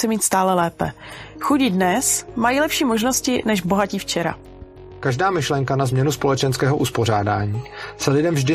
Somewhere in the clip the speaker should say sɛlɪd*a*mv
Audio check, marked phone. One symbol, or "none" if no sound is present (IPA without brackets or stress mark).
ɛ